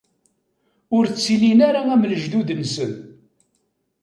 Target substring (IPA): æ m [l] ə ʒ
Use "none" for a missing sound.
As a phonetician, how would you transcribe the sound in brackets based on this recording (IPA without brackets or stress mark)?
l